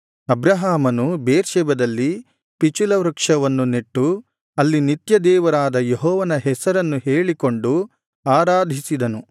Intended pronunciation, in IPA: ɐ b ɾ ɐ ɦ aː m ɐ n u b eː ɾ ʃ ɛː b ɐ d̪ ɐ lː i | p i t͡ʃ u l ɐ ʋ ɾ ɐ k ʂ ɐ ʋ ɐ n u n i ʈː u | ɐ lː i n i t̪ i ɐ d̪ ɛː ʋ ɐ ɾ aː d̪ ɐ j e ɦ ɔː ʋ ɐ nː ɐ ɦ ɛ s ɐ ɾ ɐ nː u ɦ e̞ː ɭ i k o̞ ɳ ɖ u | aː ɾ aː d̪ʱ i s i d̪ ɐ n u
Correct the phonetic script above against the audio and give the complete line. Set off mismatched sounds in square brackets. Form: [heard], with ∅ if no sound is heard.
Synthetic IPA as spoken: ɐ b ɾ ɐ ɦ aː m ɐ n u b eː ɾ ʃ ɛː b ɐ d̪ ɐ lː i | p i t͡ʃ u l ɐ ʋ ɾ ɐ k ʂ ɐ ʋ ɐ [nː] u n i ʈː u | ɐ lː i n i t̪ [j] ɐ d̪ ɛː ʋ ɐ ɾ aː d̪ ɐ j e ɦ ɔː ʋ ɐ [n] ɐ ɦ ɛ s ɐ ɾ ɐ nː u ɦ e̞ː ɭ i k o̞ ɳ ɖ u | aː ɾ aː d̪ʱ i s i d̪ ɐ n u